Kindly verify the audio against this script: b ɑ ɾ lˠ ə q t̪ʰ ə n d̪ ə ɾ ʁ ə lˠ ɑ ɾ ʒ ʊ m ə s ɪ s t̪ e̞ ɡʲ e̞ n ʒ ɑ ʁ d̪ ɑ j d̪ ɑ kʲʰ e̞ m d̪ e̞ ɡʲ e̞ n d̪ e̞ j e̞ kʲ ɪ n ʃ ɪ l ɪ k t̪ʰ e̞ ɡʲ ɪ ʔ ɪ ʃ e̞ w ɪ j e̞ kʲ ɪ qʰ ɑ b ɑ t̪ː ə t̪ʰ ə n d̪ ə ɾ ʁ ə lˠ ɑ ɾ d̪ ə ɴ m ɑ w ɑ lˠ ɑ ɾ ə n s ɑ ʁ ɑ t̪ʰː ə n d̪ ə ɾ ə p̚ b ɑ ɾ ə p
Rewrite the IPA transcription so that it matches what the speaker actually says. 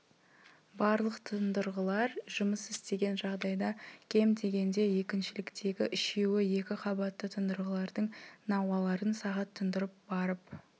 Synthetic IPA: b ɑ ɾ lˠ ə q t̪ʰ ə n d̪ ə ɾ ʁ ə lˠ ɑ ɾ ʒ ʊ m ə s ɪ s t̪ e̞ ɡʲ e̞ n ʒ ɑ ʁ d̪ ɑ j d̪ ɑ kʲʰ e̞ m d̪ e̞ ɡʲ e̞ n d̪ e̞ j e̞ kʲ ɪ n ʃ ɪ l ɪ k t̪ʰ e̞ ɡʲ ɪ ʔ ɪ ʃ e̞ w ɪ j e̞ kʲ ɪ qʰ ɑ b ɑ t̪ː ə t̪ʰ ə n d̪ ə ɾ ʁ ə lˠ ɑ ɾ d̪ ə ɴ n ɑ w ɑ lˠ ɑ ɾ ə n s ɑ ʁ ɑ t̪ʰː ə n d̪ ə ɾ ə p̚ b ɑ ɾ ə p